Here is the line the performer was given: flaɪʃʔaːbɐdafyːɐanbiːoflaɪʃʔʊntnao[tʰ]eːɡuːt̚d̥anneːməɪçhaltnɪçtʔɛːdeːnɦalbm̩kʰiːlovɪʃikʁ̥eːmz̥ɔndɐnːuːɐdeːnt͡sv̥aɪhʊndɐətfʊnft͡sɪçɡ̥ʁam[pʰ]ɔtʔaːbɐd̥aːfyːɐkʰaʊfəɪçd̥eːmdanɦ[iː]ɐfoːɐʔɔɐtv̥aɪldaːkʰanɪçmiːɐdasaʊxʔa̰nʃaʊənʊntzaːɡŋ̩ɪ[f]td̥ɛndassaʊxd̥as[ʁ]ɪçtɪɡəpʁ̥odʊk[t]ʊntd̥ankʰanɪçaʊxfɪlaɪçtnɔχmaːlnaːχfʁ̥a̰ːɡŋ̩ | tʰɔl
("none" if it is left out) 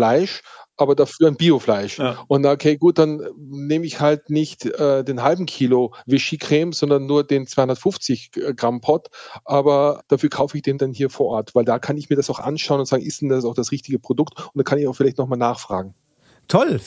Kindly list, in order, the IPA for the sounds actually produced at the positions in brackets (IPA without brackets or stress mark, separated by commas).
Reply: kʰ, pʰ, iː, s, ʁ, t